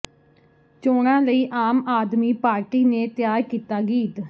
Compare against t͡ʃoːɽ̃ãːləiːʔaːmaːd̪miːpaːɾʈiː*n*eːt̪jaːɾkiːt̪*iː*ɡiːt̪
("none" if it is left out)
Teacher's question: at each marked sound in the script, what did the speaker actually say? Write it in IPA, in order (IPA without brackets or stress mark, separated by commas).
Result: n, aː